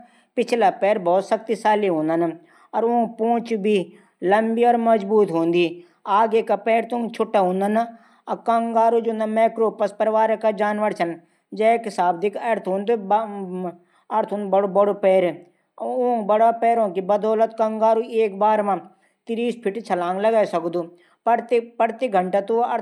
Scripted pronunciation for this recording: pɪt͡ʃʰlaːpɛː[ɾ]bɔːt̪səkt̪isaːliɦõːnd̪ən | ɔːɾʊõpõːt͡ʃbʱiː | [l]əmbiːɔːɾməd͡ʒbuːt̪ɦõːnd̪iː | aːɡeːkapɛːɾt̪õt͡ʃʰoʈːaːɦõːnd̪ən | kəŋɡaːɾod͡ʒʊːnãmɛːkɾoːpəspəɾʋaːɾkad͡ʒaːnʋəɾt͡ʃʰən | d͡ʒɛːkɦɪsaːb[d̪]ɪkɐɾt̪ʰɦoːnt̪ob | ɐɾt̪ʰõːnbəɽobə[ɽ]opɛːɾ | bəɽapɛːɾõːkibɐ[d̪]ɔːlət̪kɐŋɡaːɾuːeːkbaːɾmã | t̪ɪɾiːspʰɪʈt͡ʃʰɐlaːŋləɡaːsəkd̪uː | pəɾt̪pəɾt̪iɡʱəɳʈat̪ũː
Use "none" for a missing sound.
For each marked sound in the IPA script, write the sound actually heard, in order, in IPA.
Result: ɾ, l, d̪, ɽ, d̪

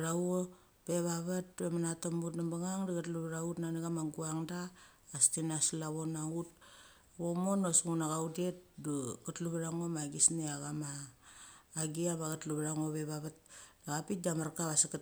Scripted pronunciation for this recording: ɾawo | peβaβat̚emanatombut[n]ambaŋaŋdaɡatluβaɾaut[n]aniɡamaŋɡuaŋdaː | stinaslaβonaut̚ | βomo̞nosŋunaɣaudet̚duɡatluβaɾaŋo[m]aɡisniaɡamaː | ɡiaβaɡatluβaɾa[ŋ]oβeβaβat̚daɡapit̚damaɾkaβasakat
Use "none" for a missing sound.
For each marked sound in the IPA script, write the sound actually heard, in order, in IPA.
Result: n, n, m, ŋ

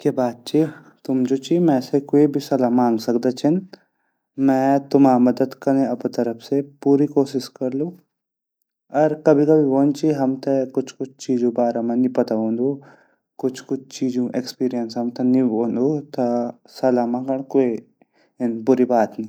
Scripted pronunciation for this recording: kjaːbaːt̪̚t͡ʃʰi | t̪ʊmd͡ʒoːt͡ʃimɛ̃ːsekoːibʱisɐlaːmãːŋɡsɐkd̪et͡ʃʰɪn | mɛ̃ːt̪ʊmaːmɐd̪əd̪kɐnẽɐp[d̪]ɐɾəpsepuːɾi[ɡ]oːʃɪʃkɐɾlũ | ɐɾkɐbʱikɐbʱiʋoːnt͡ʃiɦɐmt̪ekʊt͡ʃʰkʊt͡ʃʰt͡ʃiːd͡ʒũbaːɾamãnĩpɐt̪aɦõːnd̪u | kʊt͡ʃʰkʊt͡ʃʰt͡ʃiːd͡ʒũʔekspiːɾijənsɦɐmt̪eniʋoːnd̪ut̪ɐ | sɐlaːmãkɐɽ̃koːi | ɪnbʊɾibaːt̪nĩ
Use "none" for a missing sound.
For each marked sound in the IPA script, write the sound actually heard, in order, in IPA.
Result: t̪, k

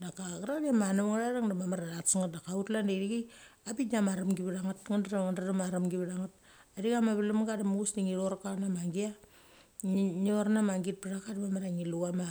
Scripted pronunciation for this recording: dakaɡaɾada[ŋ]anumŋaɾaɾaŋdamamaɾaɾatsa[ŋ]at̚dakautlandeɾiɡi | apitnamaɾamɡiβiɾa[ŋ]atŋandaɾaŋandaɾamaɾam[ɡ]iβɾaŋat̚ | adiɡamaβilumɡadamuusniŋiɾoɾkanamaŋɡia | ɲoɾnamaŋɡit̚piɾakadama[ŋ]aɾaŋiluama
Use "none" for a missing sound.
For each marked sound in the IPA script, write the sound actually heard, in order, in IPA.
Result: m, ŋ, ŋ, ɡ, m

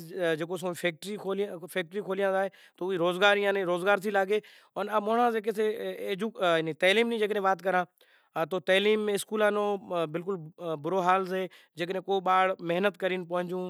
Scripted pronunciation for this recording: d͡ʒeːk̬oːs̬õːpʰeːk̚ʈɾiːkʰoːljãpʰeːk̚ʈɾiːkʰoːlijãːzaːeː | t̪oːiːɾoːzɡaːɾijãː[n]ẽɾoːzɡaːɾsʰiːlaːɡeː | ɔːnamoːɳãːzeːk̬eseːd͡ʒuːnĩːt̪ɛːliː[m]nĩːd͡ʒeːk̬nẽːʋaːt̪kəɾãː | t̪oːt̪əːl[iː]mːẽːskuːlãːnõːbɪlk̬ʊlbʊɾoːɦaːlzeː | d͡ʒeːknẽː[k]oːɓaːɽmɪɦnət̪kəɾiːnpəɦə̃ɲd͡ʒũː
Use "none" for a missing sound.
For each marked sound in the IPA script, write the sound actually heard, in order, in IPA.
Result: n, m, iː, k

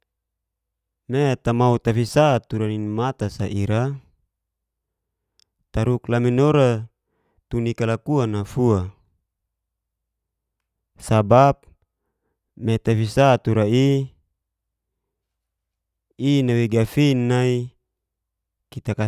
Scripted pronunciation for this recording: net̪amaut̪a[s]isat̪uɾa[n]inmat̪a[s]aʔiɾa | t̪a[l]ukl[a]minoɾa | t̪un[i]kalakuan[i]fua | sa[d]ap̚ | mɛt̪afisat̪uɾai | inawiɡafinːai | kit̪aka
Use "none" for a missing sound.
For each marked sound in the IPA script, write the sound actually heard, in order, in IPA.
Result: f, n, s, ɾ, a, i, a, b

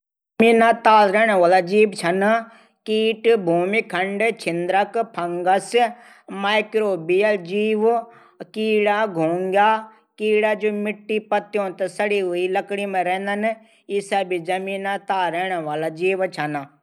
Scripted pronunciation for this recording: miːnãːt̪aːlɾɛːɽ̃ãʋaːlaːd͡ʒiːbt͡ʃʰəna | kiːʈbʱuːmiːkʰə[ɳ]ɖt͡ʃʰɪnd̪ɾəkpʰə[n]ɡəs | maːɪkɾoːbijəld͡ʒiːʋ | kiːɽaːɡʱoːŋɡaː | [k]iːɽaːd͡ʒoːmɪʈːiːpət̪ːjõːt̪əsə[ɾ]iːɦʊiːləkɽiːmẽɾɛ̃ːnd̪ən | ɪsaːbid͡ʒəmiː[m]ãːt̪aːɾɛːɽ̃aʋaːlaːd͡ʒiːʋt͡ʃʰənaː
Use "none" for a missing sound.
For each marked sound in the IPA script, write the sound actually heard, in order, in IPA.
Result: ɳ, ŋ, k, ɽ, n

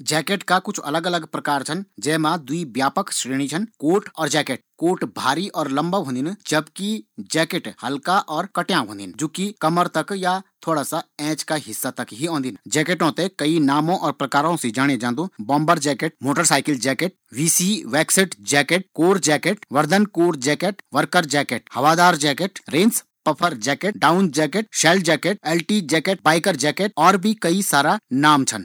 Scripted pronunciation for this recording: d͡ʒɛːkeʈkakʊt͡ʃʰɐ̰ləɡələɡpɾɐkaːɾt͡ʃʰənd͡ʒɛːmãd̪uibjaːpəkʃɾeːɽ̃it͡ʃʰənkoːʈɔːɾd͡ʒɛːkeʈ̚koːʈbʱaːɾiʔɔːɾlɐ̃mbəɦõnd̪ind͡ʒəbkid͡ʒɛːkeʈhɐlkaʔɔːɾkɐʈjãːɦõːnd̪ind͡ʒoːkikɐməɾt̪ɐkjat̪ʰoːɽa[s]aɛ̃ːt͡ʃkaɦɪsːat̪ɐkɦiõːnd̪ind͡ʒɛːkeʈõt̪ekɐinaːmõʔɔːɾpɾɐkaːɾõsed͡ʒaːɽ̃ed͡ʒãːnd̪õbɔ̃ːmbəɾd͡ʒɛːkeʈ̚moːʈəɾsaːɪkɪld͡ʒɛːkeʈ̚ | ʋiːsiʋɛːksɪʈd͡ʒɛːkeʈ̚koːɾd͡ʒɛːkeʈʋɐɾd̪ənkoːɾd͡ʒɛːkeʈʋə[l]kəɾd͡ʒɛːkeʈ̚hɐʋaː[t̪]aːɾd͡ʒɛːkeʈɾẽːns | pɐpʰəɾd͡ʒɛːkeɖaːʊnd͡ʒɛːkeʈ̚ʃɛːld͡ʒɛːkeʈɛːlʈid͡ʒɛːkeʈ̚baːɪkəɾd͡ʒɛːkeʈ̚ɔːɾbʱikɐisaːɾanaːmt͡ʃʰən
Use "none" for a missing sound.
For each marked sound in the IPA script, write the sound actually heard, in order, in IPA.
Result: s, ɾ, d̪

